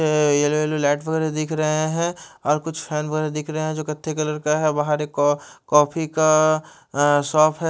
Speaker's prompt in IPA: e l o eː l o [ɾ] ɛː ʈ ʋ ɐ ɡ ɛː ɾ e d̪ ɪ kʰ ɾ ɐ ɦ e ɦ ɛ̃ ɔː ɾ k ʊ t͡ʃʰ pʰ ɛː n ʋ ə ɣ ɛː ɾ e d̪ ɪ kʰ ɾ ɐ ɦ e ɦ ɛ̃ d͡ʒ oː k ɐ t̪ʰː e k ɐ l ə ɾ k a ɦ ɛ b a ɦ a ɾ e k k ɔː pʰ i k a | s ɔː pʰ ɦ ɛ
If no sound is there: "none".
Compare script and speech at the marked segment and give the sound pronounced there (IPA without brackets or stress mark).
l